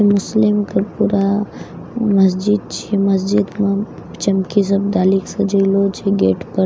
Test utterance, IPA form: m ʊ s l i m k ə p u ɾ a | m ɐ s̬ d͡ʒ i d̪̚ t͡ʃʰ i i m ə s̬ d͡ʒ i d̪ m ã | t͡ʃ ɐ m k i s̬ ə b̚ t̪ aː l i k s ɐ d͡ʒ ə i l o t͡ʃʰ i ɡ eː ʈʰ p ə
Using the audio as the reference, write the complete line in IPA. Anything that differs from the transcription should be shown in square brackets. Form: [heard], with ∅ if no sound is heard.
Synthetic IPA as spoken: m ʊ s l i m k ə p u ɾ a | m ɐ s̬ d͡ʒ i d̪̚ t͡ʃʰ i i m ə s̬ d͡ʒ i d̪ m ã | t͡ʃ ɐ m k i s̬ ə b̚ [d̪] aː l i k s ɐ d͡ʒ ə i l o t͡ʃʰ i ɡ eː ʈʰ p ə